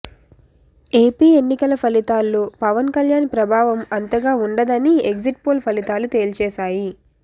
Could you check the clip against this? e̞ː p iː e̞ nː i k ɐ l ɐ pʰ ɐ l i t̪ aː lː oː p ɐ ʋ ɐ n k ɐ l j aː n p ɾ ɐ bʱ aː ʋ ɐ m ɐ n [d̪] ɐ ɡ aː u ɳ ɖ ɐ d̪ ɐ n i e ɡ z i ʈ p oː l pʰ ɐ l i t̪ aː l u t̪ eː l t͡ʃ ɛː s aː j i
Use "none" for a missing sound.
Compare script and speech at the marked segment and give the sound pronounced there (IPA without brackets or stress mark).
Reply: t̪